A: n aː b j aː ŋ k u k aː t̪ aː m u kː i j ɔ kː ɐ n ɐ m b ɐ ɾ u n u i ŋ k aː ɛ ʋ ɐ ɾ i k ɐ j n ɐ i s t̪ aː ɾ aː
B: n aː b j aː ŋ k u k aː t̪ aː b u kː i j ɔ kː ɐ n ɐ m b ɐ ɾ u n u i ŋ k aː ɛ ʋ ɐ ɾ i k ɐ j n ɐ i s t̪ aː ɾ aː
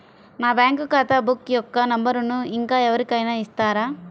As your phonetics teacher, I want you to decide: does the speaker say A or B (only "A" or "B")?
B